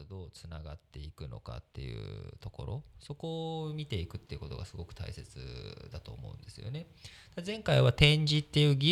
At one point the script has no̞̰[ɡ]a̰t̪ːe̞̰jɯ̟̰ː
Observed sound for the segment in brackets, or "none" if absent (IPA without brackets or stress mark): k